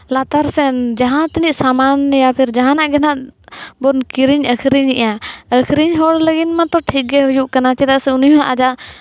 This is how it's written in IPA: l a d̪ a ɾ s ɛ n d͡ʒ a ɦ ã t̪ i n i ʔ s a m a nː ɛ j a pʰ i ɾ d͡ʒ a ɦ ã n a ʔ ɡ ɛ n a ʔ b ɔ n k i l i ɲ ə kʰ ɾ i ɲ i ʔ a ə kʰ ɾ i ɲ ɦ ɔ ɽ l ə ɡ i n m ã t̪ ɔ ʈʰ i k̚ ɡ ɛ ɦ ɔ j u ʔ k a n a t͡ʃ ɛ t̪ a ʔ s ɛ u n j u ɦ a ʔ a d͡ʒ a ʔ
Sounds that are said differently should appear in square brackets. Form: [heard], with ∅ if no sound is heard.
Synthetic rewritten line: l a [t̪] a ɾ s ɛ n d͡ʒ a ɦ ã t̪ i n i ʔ s a m a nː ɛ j a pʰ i ɾ d͡ʒ a ɦ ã n a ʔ ɡ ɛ n a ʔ b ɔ n k i [ɾ] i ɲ ə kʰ ɾ i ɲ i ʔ a ə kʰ ɾ i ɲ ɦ ɔ ɽ l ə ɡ i n m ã t̪ ɔ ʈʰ i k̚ ɡ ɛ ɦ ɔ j u ʔ k a n a t͡ʃ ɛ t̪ a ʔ s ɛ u n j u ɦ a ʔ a d͡ʒ a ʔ